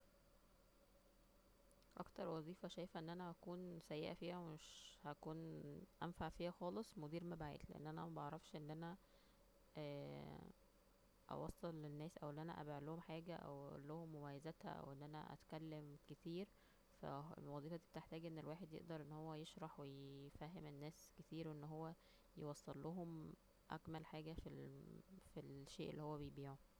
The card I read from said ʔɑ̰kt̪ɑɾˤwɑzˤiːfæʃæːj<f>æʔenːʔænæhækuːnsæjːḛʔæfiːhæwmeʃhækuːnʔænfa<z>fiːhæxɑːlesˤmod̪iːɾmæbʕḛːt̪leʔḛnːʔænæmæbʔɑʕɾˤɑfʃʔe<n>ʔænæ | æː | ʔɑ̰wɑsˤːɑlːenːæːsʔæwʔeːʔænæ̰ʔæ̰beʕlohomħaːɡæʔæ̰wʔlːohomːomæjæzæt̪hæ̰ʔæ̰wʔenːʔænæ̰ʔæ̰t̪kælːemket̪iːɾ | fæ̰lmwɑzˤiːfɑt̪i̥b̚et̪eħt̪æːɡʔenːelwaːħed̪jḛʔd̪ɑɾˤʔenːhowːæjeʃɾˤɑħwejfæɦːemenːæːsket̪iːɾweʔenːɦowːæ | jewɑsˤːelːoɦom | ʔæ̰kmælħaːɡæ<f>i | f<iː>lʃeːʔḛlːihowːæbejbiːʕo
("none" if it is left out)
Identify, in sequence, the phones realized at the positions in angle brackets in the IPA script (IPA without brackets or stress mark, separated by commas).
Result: f, ʕ, nː, f, i